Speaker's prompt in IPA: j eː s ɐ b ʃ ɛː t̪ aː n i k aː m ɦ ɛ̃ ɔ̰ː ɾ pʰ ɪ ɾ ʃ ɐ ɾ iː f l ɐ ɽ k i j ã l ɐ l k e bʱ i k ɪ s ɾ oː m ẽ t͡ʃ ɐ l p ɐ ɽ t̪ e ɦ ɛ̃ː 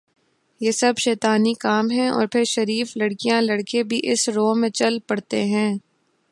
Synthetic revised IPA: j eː s ɐ b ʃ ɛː t̪ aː n i k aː m ɦ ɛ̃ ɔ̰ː ɾ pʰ ɪ ɾ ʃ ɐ ɾ iː f l ɐ ɽ k i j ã l ɐ ɽ k e bʱ i ʔ ɪ s ɾ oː m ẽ t͡ʃ ɐ l p ɐ ɽ t̪ e ɦ ɛ̃ː